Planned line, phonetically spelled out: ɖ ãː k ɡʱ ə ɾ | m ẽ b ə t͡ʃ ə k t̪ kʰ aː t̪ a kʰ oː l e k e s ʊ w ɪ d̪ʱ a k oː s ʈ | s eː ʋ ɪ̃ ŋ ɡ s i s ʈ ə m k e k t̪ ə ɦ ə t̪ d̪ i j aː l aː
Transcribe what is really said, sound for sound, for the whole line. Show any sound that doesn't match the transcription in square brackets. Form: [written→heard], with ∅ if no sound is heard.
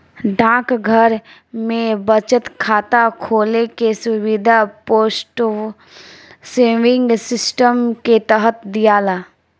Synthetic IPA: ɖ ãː k ɡʱ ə ɾ | m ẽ b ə t͡ʃ ə [k→∅] t̪ kʰ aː t̪ a kʰ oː l e k e s ʊ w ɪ d̪ʱ a [k→p] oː s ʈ | s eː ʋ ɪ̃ ŋ ɡ s [i→ɪ] s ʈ ə m k e [k→∅] t̪ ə ɦ ə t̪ d̪ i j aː l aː

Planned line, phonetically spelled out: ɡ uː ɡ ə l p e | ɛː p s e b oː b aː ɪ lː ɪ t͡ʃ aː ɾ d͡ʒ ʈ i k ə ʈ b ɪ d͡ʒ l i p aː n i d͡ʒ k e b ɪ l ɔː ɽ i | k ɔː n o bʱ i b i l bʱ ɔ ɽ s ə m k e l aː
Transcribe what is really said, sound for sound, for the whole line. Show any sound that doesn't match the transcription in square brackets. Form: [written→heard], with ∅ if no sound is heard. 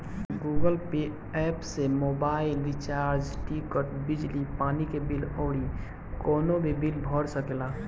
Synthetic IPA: ɡ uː ɡ ə l p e | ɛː p s e [b→m] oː b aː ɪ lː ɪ t͡ʃ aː ɾ d͡ʒ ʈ i k ə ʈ b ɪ d͡ʒ l i p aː n i [d͡ʒ→∅] k e b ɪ l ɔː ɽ i | k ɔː n o bʱ i b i l bʱ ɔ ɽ s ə [m→∅] k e l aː

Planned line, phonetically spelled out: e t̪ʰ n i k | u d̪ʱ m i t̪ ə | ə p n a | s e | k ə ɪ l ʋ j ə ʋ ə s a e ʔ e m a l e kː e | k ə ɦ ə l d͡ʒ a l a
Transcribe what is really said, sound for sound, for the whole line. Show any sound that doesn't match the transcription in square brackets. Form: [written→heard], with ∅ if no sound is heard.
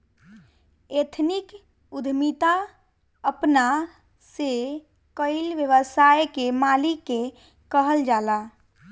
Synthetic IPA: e t̪ʰ n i k | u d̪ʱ m i t̪ [ə→a] | ə p n a | s e | k ə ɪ l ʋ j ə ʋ ə s a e [ʔ→k] e m a l [e→i] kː e | k ə ɦ ə l d͡ʒ a l a

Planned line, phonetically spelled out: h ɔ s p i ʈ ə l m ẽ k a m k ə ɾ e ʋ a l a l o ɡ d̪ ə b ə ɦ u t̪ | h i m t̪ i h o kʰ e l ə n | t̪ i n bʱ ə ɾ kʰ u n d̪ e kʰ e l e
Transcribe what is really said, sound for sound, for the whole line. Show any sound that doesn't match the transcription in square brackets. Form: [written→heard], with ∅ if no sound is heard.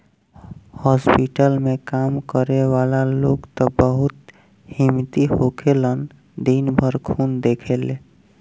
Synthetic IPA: h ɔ s p i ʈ ə l m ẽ k a m k ə ɾ e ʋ a l a l o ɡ [d̪→t̪] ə b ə ɦ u t̪ | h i m t̪ i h o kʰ e l ə n | [t̪→d̪] i n bʱ ə ɾ kʰ u n d̪ e kʰ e l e

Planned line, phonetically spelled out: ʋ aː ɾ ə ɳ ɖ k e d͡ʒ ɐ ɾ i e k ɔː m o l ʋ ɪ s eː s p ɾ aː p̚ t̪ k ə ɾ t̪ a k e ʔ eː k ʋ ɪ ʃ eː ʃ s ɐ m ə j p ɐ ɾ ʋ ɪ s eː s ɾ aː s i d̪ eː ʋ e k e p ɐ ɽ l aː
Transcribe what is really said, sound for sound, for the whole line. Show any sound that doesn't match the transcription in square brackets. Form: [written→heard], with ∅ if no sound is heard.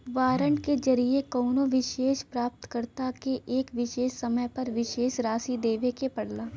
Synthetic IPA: ʋ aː ɾ ə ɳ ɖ k e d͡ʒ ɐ ɾ i e k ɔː [m→n] o [l→∅] ʋ ɪ [s→ʃ] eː [s→ʃ] p ɾ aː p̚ t̪ k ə ɾ t̪ a k e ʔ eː k ʋ ɪ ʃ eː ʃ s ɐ m ə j p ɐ ɾ ʋ ɪ [s→ʃ] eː [s→ʃ] ɾ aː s i d̪ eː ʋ e k e p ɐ ɽ l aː

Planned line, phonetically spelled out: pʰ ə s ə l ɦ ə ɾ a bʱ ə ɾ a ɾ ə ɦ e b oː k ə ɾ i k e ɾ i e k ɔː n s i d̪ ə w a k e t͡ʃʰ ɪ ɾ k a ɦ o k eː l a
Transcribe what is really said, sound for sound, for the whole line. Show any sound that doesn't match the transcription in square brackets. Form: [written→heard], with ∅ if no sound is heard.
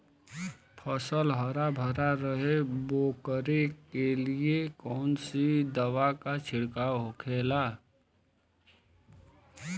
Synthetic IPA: pʰ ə s ə l ɦ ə ɾ a bʱ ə ɾ a ɾ ə ɦ e b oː k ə ɾ [i→e] k e [ɾ→l] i e k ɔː n s i d̪ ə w a k [e→a] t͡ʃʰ ɪ [ɾ→ɽ] k a ɦ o [k→kʰ] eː l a

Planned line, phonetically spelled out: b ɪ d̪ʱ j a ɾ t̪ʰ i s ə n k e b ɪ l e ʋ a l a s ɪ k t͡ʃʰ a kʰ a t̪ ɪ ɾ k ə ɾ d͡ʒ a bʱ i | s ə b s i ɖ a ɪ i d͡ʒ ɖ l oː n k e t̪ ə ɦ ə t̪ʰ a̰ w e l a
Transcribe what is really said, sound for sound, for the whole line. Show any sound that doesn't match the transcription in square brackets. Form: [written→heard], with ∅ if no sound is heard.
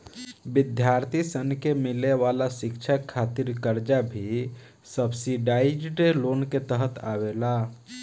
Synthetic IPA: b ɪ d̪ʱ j a ɾ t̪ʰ i s ə n k e [b→m] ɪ l e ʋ a l a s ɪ k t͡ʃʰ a kʰ a t̪ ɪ ɾ k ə ɾ d͡ʒ a bʱ i | s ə b s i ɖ a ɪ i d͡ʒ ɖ l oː n k e t̪ ə ɦ ə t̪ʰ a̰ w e l a

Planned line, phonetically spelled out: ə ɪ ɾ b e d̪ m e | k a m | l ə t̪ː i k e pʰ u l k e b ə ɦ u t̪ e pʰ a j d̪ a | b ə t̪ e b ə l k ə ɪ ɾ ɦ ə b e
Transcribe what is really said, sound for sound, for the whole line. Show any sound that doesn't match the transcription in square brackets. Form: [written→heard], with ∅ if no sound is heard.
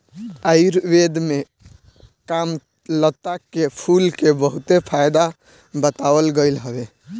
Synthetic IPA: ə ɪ ɾ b e d̪ m e | k a m | l ə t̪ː [i→a] k e pʰ u l k e b ə ɦ u t̪ e pʰ a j d̪ a | b ə t̪ [e→a] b ə l [k→ɡ] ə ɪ [ɾ→l] ɦ ə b e

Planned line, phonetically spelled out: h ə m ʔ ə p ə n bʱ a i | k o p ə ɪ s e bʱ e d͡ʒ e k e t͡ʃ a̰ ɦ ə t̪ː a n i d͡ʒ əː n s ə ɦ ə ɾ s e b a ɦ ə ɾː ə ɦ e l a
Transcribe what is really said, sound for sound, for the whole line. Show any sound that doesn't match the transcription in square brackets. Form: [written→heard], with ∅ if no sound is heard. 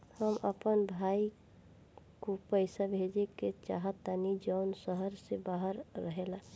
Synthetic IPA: h ə m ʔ ə p ə n bʱ a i | k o p ə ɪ s [e→a] bʱ e d͡ʒ e k e t͡ʃ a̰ ɦ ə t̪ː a n i d͡ʒ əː n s ə ɦ ə ɾ s e b a ɦ ə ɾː ə ɦ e l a

